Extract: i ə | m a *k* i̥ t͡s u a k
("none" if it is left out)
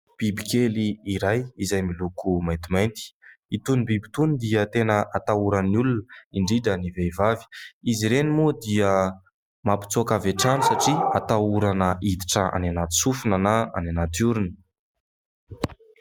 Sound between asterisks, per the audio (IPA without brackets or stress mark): p